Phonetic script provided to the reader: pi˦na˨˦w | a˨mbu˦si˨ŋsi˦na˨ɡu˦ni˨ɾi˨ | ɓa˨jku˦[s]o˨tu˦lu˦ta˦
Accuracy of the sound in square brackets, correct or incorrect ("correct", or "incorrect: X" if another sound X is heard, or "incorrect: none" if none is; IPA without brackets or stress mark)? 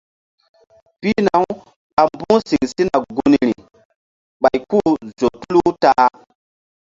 incorrect: z